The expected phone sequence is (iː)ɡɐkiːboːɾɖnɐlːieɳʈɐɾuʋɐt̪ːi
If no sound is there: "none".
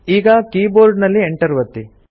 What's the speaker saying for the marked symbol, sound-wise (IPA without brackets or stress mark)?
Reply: iː